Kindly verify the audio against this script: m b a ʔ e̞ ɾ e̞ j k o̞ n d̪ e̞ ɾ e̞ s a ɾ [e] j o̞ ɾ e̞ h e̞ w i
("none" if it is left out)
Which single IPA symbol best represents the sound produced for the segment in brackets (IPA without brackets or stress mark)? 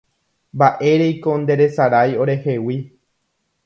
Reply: a